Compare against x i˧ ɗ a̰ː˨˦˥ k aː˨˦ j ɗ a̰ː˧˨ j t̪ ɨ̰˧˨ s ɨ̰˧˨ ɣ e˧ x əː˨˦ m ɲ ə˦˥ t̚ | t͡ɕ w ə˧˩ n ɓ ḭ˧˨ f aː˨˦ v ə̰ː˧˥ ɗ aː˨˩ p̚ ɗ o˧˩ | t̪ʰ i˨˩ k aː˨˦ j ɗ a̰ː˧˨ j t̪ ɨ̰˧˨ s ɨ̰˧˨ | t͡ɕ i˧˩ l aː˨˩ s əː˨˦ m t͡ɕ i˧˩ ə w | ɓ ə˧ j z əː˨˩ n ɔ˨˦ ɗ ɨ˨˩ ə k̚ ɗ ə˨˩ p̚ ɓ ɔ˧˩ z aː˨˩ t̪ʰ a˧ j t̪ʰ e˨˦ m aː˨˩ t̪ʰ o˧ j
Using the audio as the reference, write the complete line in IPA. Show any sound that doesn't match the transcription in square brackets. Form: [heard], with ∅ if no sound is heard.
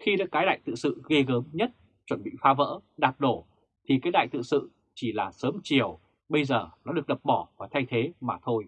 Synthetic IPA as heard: x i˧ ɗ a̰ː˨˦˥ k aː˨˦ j ɗ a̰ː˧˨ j t̪ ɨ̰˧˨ s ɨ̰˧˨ ɣ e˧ [ɣ] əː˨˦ m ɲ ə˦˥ t̚ | t͡ɕ w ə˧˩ n ɓ ḭ˧˨ f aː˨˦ v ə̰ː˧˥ ɗ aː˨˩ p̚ ɗ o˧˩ | t̪ʰ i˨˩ k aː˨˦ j ɗ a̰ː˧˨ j t̪ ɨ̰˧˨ s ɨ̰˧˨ | t͡ɕ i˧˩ l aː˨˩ s əː˨˦ m t͡ɕ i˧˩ ə w | ɓ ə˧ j z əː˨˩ n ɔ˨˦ ɗ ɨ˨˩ ə k̚ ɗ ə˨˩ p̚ ɓ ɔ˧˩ [v] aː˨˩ t̪ʰ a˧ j t̪ʰ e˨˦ m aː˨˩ t̪ʰ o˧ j